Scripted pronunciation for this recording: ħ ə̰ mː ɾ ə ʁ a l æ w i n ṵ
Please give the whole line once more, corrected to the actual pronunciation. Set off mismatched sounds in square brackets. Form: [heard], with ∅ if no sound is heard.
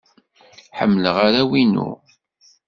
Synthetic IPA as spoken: ħ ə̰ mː [l] ə ʁ a [ɾ] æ w i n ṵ